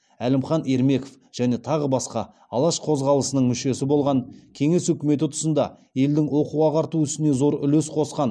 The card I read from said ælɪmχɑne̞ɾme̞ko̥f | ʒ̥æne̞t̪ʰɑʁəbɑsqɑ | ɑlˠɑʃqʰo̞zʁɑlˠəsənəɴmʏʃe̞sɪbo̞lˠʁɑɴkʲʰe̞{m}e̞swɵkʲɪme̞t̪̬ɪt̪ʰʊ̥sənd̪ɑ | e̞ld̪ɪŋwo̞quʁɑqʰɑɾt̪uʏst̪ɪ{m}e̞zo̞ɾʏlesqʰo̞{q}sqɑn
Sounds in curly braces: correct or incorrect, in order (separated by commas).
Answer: incorrect, incorrect, incorrect